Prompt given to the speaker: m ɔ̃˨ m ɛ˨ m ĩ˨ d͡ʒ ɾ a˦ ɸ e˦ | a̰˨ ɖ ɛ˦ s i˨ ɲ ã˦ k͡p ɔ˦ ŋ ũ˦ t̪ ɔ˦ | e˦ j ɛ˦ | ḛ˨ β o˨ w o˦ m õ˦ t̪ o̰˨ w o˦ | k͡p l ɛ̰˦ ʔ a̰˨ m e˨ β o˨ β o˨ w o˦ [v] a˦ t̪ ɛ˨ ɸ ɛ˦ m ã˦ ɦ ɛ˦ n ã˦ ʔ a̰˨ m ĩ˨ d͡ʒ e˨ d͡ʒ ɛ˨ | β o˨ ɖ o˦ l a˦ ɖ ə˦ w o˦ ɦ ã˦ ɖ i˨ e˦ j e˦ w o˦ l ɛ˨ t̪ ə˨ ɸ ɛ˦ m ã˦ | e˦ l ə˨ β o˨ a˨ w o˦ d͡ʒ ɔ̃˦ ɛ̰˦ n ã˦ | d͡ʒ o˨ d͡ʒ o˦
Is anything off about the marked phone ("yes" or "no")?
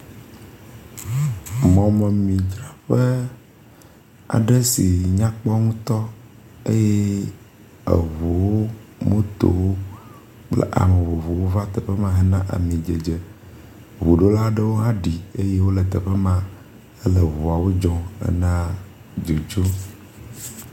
no